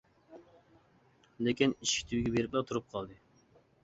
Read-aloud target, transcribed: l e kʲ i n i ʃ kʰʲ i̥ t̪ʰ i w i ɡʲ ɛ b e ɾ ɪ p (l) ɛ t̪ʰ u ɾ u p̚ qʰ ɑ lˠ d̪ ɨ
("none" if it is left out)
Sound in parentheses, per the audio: l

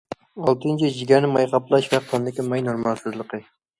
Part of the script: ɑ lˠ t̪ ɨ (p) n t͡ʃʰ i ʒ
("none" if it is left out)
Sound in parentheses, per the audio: none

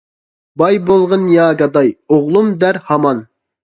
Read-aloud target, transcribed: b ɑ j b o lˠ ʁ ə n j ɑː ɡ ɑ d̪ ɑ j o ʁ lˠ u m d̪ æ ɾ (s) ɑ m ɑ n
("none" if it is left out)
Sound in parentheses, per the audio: h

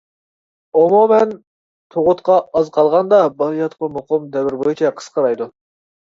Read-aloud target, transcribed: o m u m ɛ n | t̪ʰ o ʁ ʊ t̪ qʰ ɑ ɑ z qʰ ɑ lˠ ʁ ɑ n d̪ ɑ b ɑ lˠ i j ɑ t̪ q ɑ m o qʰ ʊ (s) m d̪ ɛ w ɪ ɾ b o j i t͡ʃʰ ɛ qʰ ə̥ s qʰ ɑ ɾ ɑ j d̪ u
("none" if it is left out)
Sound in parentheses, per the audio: none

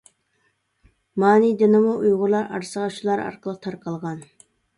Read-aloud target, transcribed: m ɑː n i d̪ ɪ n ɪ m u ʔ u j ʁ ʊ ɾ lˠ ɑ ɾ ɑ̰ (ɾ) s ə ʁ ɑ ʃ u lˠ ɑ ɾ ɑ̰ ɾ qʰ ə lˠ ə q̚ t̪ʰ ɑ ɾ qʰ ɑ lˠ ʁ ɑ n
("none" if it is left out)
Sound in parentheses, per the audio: ɾ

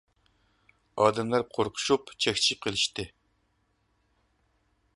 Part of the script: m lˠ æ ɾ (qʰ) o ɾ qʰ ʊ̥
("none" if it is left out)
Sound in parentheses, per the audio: qʰ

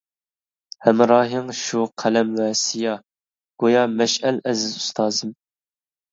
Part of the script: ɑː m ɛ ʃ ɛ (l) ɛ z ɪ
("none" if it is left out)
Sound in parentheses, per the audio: l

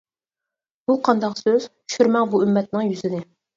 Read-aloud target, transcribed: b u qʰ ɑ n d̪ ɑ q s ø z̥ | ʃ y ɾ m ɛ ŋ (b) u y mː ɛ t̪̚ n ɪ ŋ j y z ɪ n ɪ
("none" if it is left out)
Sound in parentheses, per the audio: b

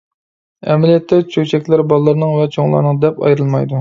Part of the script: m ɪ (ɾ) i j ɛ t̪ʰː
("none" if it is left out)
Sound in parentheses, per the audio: l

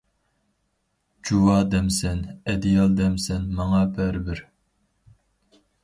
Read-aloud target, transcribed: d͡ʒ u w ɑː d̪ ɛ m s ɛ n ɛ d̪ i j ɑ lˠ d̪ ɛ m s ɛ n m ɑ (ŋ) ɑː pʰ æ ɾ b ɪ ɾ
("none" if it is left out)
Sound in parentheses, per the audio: ŋ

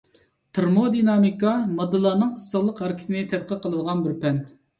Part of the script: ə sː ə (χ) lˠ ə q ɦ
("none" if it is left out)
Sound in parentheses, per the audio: ʁ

